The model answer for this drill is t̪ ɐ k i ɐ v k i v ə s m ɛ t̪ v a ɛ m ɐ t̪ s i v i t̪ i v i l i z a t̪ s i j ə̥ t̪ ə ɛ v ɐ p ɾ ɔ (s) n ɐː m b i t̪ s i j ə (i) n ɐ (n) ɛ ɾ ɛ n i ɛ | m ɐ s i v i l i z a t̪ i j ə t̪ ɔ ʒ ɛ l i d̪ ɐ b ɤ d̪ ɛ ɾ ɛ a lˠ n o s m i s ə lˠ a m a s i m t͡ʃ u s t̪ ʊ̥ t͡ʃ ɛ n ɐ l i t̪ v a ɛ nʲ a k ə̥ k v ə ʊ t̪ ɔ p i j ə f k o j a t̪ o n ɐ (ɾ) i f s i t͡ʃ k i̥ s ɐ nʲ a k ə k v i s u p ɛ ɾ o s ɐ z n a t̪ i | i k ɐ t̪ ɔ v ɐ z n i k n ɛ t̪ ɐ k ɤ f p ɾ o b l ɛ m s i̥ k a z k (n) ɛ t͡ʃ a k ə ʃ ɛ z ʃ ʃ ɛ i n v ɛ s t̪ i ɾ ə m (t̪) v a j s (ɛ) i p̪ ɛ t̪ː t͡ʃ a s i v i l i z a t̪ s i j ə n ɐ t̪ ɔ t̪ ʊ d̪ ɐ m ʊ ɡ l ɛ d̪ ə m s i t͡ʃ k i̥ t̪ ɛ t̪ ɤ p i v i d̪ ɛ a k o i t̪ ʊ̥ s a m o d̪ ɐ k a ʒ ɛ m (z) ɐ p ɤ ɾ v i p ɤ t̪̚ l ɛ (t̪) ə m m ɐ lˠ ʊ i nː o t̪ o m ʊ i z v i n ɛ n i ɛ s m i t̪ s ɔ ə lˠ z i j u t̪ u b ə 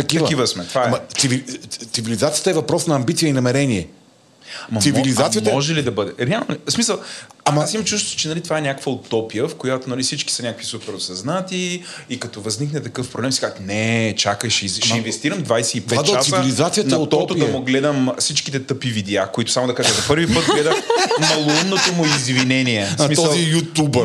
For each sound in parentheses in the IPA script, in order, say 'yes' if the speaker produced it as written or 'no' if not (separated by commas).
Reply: yes, yes, no, no, yes, no, yes, yes, no